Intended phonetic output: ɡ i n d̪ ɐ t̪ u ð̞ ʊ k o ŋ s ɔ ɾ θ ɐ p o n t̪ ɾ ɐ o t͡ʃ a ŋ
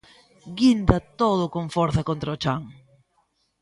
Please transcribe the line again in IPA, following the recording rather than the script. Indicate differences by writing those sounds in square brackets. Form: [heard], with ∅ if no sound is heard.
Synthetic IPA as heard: ɡ i n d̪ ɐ t̪ [o] ð̞ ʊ k o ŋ [f] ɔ ɾ θ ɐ [k] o n t̪ ɾ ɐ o t͡ʃ a ŋ